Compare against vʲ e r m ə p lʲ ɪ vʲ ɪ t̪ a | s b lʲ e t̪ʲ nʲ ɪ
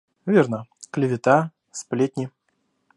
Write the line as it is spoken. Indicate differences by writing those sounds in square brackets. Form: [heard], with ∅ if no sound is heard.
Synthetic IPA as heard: vʲ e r [n] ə [k] lʲ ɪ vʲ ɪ t̪ a | s [p] lʲ e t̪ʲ nʲ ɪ